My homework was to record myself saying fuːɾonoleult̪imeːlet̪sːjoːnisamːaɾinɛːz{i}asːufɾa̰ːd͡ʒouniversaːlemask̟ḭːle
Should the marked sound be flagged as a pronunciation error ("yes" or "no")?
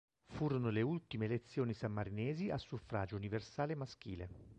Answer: no